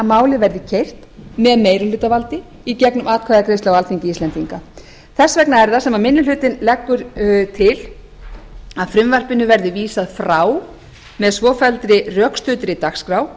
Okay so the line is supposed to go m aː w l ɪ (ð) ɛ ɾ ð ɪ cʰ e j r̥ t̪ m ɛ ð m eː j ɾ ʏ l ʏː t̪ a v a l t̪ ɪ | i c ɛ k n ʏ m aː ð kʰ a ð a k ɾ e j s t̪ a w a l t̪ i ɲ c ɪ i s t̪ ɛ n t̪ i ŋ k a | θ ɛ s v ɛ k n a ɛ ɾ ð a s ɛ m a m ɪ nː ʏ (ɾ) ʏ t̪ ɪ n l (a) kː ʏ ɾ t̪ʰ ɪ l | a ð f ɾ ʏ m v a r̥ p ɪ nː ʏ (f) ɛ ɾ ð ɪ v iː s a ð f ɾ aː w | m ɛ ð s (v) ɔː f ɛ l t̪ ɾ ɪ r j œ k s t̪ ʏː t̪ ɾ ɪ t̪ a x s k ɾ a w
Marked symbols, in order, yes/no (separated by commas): no, no, no, no, yes